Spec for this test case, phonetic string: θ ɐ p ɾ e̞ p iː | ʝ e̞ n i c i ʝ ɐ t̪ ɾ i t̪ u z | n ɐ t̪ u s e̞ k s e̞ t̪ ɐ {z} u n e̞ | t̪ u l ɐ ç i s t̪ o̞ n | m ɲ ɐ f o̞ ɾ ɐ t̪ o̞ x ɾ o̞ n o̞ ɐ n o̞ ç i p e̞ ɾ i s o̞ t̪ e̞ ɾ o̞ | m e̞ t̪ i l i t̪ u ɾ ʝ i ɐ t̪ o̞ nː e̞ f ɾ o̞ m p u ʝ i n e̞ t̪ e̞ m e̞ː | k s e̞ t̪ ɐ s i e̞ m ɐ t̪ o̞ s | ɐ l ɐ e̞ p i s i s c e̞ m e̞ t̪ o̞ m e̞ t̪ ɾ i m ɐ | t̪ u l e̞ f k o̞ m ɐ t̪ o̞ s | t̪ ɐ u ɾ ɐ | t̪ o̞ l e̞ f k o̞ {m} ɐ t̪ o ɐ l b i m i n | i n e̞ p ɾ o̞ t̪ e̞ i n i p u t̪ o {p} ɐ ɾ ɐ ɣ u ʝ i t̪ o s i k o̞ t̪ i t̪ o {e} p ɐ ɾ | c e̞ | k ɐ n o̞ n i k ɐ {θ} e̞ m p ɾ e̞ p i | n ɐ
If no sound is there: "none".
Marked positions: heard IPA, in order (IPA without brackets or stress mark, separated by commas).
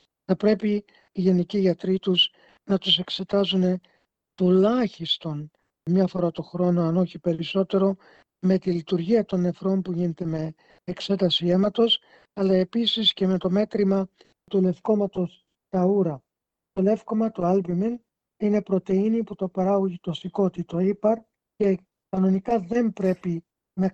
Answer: z, m, p, i, ð